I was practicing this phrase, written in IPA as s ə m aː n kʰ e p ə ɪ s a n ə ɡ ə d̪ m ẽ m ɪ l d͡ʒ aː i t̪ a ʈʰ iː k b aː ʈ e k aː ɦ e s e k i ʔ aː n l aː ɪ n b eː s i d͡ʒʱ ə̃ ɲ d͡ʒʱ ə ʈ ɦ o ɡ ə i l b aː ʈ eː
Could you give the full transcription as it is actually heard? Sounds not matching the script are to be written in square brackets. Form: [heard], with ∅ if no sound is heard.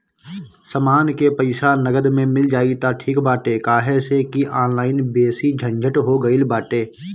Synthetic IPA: s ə m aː n [k] e p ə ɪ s a n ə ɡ ə d̪ m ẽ m ɪ l d͡ʒ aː i t̪ a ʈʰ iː k b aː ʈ e k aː ɦ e s e k i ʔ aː n l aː ɪ n b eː s i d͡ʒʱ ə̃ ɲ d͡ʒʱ ə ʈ ɦ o ɡ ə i l b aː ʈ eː